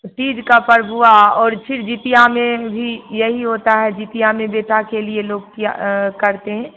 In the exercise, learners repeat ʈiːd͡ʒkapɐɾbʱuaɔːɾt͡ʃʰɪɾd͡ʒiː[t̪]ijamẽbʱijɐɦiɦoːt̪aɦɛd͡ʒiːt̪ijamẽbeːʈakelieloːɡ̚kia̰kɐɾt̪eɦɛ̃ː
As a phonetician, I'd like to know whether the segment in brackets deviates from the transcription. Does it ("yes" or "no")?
no